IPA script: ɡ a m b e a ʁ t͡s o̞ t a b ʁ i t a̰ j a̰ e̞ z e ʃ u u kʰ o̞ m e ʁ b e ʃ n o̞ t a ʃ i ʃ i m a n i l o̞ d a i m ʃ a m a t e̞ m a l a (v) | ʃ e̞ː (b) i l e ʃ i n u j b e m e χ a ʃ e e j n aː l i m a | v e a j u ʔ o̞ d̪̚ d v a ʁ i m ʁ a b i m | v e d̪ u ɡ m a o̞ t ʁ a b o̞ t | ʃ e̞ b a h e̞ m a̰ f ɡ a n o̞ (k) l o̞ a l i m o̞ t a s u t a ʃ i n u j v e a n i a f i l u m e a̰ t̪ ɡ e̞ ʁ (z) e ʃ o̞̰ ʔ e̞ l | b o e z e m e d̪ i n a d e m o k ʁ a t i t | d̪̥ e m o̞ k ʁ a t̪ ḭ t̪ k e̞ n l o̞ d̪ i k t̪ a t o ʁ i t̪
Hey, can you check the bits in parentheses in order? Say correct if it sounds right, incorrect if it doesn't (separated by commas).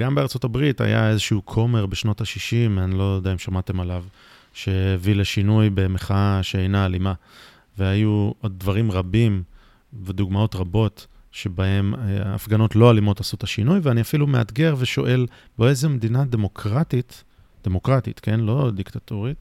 correct, incorrect, incorrect, incorrect